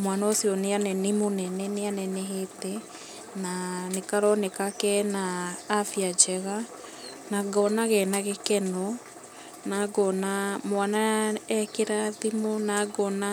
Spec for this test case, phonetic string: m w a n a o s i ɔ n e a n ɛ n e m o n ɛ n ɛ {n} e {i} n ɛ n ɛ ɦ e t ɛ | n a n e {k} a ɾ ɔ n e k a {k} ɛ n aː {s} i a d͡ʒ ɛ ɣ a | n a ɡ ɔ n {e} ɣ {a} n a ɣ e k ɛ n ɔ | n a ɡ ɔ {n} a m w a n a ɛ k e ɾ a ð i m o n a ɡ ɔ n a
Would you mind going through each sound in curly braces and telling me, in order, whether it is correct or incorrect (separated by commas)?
correct, incorrect, correct, correct, incorrect, incorrect, incorrect, correct